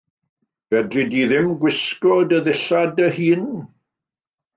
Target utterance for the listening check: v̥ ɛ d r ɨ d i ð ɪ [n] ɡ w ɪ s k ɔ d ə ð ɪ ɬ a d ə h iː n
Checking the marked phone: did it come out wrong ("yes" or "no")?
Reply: yes